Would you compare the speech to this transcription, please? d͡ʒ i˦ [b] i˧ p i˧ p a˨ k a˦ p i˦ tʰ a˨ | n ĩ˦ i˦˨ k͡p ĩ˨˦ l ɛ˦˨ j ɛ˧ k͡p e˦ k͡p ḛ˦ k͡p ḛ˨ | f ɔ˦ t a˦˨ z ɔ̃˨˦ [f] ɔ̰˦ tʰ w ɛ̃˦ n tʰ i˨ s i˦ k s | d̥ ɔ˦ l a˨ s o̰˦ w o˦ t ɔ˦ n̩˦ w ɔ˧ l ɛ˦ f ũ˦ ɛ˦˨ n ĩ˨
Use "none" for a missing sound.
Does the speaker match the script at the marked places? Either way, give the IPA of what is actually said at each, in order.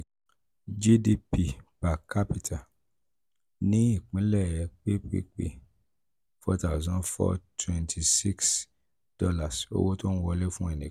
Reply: d, f

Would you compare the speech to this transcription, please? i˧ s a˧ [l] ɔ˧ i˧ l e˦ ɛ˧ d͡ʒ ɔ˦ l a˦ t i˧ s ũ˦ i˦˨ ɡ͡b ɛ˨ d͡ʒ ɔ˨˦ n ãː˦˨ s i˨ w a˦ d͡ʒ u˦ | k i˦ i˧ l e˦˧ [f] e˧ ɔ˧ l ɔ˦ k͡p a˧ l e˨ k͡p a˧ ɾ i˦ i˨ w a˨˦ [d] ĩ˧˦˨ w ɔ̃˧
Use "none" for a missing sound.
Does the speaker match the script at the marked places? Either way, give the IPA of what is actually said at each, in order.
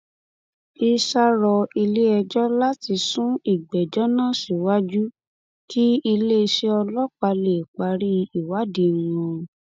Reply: ɾ, ʃ, d

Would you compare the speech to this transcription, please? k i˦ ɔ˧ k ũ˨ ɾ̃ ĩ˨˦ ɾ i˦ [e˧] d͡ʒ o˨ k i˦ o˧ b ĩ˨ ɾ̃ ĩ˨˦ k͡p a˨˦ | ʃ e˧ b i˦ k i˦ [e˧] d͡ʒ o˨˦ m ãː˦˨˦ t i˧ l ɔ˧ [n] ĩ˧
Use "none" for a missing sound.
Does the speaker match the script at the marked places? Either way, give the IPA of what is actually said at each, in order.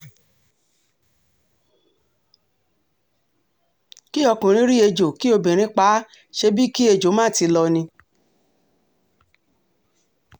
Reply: e˧, e˧, n

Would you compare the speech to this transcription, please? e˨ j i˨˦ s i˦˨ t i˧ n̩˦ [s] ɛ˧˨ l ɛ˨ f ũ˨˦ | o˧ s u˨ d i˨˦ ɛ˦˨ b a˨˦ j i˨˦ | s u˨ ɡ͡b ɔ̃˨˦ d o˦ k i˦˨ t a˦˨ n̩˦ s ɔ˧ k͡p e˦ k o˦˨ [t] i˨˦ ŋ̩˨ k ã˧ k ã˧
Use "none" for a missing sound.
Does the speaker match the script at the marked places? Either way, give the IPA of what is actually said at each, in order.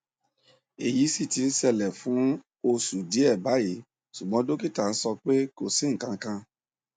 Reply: s, s

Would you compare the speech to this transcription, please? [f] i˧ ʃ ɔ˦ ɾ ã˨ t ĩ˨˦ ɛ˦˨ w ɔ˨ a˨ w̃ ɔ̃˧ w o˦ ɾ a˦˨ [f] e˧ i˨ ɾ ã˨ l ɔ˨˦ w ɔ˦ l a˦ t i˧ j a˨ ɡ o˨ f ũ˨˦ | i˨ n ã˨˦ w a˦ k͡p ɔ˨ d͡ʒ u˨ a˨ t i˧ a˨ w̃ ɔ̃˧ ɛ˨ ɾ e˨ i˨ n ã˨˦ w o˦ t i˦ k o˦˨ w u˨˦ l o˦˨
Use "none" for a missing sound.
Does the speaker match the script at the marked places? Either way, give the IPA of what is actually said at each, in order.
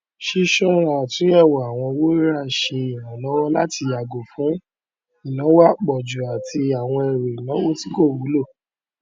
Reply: ʃ, ʃ

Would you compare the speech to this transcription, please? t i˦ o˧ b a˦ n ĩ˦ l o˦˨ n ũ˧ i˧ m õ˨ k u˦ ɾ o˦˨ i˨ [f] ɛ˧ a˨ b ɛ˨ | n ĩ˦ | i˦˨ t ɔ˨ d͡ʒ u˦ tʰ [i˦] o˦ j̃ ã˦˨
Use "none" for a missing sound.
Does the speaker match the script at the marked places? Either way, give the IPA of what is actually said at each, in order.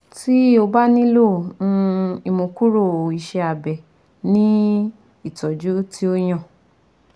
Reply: ʃ, i˦

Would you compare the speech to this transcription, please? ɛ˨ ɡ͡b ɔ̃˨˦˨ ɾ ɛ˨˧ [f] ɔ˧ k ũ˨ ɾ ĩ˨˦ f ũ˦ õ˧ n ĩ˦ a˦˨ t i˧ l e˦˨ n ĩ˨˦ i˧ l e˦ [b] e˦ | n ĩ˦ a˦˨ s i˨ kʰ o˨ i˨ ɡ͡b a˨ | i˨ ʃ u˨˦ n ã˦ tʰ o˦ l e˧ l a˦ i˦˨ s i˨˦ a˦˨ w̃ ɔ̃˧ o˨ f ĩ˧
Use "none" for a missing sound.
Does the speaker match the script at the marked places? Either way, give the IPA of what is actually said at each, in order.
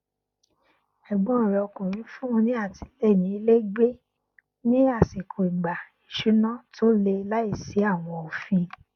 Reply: none, ɡ͡b

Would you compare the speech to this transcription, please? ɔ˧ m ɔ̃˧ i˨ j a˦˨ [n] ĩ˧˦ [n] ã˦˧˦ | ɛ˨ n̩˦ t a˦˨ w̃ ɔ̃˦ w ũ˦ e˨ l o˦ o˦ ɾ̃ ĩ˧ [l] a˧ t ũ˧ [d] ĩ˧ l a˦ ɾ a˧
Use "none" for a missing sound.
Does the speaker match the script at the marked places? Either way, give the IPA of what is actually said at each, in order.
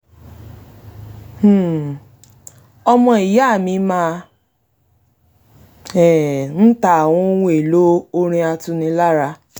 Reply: m, m, none, n

